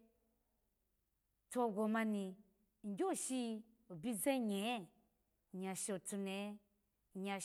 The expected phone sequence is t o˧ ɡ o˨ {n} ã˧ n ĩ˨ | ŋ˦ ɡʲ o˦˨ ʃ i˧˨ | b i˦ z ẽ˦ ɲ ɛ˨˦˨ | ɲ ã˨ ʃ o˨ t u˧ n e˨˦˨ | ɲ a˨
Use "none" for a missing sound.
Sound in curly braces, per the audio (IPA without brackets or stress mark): m